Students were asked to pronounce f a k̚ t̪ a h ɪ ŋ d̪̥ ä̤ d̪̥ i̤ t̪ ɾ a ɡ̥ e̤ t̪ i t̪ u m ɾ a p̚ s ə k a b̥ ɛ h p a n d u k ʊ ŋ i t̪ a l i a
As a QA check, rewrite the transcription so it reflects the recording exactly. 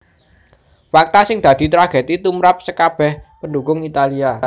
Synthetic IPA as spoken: f a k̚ t̪ a s ɪ ŋ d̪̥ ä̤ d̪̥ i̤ t̪ ɾ a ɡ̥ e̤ t̪ i t̪ u m ɾ a p̚ s ə k a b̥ ɛ h p ə n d u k ʊ ŋ i t̪ a l i a